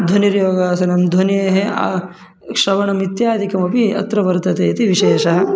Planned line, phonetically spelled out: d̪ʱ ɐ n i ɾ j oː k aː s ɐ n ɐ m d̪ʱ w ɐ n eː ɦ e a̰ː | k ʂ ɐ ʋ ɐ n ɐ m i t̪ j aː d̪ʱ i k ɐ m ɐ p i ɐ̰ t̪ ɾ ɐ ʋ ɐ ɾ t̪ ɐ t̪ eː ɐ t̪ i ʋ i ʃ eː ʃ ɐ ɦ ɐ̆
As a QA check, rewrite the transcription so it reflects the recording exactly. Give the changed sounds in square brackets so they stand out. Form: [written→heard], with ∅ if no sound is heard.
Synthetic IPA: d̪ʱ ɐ n i ɾ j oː [k→ɡ] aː s ɐ n ɐ m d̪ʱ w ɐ n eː ɦ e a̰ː | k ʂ ɐ ʋ ɐ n ɐ m i t̪ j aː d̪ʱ i k ɐ m ɐ p i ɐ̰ t̪ ɾ ɐ ʋ ɐ ɾ t̪ ɐ t̪ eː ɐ t̪ i ʋ i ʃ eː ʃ ɐ ɦ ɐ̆